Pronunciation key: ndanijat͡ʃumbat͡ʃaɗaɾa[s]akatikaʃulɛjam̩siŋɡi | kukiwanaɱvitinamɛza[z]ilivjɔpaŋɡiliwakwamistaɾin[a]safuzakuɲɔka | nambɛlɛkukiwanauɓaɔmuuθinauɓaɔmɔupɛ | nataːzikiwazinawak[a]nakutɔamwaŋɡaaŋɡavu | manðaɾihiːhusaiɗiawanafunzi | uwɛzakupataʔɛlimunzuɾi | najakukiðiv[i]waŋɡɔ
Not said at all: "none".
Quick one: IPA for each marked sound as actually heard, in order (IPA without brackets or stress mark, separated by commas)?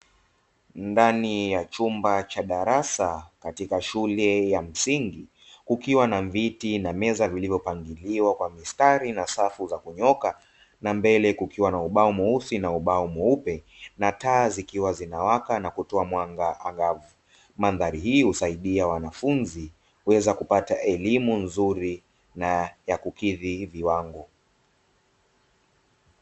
s, v, a, a, i